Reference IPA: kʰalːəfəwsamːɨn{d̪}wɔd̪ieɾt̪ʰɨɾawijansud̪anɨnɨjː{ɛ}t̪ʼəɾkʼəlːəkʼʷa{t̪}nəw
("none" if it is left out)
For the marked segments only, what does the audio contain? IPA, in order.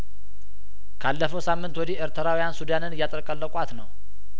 t̪, a, t̪

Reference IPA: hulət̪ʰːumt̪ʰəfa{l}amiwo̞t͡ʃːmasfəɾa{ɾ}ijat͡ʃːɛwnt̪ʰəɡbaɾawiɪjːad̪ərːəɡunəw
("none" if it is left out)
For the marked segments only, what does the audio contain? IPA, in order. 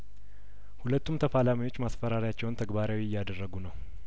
l, ɾ

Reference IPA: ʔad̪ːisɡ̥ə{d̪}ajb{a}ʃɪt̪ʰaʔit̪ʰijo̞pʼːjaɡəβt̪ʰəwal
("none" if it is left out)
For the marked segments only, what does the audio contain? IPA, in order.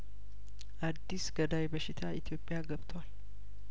d̪, ə

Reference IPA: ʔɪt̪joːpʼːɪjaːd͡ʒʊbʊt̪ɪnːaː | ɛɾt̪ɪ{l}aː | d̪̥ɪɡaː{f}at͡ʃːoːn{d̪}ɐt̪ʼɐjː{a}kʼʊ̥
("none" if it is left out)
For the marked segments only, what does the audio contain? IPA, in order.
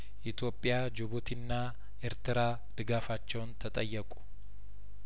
ɾ, f, t̪, ɐ

